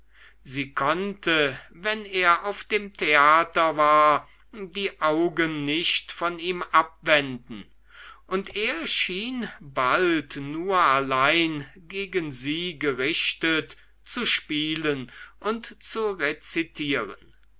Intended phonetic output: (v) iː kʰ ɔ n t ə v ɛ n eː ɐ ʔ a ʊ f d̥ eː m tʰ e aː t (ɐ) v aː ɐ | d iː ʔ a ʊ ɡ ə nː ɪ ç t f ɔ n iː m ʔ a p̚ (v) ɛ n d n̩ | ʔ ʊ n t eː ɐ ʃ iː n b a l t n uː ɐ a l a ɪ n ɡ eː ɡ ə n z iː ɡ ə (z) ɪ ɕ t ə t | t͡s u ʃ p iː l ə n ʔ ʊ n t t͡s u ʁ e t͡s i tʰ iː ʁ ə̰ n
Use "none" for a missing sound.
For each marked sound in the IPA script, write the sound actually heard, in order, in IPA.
z, ɐ, v, ʁ

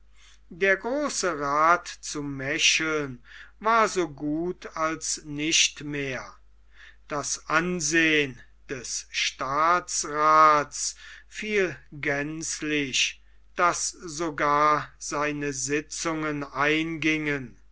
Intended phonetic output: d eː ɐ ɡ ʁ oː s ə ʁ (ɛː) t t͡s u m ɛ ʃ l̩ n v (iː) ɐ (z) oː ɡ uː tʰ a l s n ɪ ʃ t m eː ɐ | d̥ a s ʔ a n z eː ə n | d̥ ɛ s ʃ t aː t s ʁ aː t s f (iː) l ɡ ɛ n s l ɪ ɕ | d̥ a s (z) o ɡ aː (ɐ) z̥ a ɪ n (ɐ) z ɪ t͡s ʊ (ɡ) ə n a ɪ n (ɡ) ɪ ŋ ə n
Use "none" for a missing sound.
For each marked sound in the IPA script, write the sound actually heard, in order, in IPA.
aː, aː, z, iː, z, ɐ, ə, ŋ, ɡ

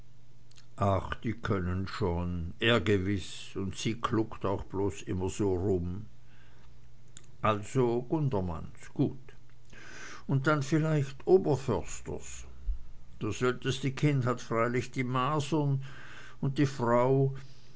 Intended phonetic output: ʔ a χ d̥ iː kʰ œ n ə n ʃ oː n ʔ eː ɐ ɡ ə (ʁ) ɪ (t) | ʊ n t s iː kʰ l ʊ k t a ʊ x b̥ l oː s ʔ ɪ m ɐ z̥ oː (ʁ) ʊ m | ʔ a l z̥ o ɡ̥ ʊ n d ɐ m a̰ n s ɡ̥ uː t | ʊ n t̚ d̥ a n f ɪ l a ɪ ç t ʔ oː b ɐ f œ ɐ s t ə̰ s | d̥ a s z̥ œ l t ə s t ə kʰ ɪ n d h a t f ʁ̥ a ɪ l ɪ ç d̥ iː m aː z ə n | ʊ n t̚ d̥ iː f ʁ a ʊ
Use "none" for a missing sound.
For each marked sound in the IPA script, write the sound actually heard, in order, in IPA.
v, s, ʁ

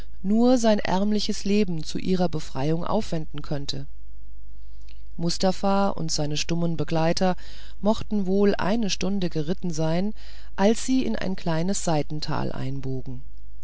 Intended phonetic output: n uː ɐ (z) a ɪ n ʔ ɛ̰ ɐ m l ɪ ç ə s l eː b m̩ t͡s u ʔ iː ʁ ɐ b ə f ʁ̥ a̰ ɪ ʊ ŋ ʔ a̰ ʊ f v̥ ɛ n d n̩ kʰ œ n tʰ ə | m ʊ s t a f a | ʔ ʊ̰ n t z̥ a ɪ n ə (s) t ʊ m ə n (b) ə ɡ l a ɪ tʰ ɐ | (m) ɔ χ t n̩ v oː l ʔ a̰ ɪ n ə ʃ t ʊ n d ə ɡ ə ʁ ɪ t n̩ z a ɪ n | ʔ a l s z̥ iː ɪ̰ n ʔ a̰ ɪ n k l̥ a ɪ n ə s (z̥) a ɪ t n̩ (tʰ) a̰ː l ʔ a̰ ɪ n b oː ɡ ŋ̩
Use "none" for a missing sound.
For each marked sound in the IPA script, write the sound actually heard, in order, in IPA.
z, ʃ, b, m, z̥, tʰ

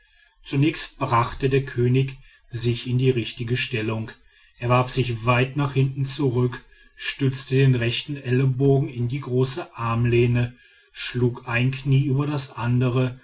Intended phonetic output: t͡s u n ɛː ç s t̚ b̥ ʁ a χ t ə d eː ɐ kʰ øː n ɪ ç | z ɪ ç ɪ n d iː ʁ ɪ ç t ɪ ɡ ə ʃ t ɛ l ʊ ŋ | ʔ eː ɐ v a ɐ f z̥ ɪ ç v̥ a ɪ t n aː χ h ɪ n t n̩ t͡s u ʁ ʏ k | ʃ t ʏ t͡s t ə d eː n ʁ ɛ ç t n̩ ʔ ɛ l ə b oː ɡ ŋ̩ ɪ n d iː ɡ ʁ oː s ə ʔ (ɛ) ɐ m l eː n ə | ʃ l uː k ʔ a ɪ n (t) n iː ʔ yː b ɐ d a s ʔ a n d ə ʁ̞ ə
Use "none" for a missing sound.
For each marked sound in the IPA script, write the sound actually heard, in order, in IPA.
a, k

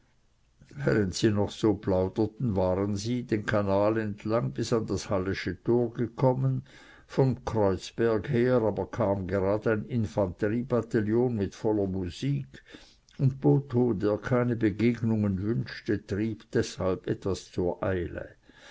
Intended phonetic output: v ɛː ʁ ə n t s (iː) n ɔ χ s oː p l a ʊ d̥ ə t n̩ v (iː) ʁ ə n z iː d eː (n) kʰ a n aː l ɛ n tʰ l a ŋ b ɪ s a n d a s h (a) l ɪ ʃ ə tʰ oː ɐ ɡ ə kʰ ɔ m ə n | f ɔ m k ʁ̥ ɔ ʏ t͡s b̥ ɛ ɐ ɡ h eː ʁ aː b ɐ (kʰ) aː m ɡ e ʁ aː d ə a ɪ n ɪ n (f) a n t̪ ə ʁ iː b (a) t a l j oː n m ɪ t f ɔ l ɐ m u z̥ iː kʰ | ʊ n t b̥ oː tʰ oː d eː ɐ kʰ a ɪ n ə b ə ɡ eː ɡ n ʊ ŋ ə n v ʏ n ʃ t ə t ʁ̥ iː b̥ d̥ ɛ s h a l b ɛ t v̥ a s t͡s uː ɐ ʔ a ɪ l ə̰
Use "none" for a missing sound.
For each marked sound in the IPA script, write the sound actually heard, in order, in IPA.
iː, aː, n, a, kʰ, f, a

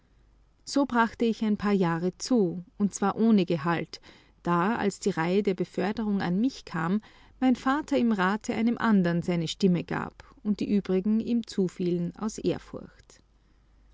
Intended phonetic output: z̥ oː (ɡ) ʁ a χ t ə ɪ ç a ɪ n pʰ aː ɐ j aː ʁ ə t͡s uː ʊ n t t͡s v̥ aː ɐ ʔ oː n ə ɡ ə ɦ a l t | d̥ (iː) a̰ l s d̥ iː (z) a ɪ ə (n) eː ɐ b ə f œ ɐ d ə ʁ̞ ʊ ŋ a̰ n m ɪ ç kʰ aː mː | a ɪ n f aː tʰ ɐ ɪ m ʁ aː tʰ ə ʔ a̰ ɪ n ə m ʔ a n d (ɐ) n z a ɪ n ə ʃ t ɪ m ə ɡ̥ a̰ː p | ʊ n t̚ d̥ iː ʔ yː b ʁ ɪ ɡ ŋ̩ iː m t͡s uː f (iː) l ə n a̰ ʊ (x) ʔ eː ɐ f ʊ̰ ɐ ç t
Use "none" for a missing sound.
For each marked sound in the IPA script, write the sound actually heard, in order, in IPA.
b, aː, ʁ, d, ɐ, iː, s

